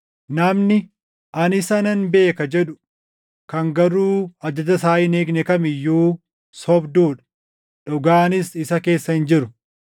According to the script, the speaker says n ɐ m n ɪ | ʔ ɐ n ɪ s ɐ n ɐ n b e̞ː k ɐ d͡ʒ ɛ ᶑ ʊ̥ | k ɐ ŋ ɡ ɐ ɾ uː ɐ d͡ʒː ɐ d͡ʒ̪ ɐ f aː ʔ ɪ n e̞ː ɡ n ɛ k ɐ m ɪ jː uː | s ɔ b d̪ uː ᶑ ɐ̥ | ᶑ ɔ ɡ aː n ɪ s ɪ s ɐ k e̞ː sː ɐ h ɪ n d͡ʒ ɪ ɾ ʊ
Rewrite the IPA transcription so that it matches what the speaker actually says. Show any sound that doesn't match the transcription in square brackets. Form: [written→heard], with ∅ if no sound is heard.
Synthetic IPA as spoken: n ɐ m n ɪ | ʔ ɐ n ɪ s ɐ n ɐ n b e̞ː k ɐ d͡ʒ ɛ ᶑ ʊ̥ | k ɐ ŋ ɡ ɐ ɾ uː ɐ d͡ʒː ɐ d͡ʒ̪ ɐ [f→s] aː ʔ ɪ n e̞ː ɡ n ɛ k ɐ m ɪ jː uː | s ɔ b d̪ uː ᶑ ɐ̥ | ᶑ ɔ ɡ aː n ɪ s ɪ s ɐ k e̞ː sː ɐ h ɪ n d͡ʒ ɪ ɾ ʊ

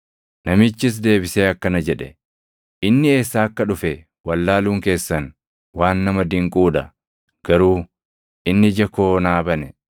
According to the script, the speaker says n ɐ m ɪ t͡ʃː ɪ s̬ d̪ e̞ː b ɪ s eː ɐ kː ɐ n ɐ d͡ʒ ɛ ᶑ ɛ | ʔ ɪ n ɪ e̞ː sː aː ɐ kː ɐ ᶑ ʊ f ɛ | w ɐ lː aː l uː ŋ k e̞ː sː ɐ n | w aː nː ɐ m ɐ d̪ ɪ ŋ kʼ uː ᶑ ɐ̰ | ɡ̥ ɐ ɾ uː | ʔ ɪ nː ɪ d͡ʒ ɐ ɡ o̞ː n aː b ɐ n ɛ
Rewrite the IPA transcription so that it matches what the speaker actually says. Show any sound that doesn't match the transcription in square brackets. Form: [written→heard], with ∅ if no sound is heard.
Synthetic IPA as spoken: n ɐ m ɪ t͡ʃː ɪ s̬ d̪ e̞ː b ɪ s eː ɐ kː ɐ n ɐ d͡ʒ ɛ ᶑ ɛ | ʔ ɪ [n→nː] ɪ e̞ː sː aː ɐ kː ɐ ᶑ ʊ f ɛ | w ɐ lː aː l uː ŋ k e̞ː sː ɐ n | w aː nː ɐ m ɐ d̪ ɪ ŋ kʼ uː ᶑ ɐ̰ | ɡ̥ ɐ ɾ uː | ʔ ɪ nː ɪ d͡ʒ ɐ [ɡ→k] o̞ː n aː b ɐ n ɛ

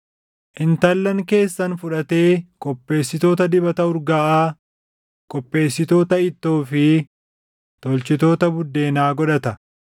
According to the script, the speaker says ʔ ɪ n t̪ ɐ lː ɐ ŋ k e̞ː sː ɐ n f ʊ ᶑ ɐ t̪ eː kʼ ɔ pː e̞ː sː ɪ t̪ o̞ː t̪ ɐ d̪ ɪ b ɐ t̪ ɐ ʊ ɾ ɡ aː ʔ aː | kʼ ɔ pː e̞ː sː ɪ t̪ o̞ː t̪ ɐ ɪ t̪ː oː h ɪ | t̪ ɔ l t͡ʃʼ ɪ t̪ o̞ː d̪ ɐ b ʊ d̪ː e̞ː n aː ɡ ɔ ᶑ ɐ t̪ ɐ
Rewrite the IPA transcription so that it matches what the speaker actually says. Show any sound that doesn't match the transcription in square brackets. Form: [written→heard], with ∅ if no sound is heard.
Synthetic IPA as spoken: ʔ ɪ n t̪ ɐ lː ɐ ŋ k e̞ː sː ɐ n f ʊ ᶑ ɐ t̪ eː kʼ ɔ pː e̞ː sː ɪ t̪ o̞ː t̪ ɐ d̪ ɪ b ɐ t̪ ɐ ʊ ɾ ɡ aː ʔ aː | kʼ ɔ pː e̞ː sː ɪ t̪ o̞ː t̪ ɐ ɪ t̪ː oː [h→f] ɪ | t̪ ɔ l [t͡ʃʼ→t͡ʃ] ɪ t̪ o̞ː [d̪→t̪] ɐ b ʊ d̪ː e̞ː n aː ɡ ɔ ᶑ ɐ t̪ ɐ

